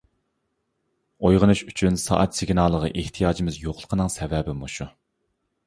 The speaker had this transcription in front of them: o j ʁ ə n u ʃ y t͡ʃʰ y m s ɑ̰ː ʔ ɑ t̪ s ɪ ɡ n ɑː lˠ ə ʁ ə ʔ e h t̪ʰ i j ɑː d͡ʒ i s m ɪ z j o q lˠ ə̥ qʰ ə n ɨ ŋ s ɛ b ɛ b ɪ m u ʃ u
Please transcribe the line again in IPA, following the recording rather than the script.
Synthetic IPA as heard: o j ʁ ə n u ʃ y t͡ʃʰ y n s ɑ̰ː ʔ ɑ t̪ s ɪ ɡ n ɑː lˠ ə ʁ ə ʔ e h t̪ʰ i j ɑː d͡ʒ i m ɪ z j o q lˠ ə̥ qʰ ə n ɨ ŋ s ɛ v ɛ b ɪ m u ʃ u